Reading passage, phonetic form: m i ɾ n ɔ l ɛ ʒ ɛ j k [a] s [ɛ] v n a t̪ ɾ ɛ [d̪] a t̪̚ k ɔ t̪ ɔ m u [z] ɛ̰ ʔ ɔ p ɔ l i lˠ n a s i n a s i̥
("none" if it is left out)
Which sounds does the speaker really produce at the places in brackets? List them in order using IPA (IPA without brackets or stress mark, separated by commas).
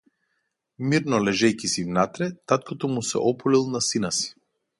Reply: i, i, t̪, s